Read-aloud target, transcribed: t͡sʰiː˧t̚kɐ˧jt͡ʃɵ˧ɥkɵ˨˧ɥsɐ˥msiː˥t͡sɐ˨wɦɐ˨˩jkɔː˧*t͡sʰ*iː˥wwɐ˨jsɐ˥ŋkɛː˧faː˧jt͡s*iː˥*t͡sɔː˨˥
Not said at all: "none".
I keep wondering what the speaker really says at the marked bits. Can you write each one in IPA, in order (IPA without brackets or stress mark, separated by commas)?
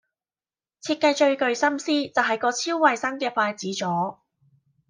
t͡sʰ, iː˨˥